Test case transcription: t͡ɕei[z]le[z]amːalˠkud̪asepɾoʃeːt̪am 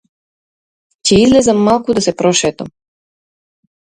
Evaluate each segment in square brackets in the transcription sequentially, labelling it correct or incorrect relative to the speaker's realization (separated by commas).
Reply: correct, correct